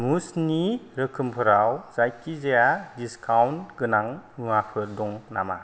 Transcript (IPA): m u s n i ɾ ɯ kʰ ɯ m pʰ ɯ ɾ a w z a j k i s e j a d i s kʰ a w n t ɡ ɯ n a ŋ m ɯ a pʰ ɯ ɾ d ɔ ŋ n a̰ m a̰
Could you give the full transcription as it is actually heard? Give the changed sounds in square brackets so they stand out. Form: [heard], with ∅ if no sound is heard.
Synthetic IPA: m u s n i ɾ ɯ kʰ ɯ m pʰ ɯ ɾ a w z a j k i [z] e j a d i s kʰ a w n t ɡ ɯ n a ŋ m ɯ a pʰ ɯ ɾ d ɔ ŋ n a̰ m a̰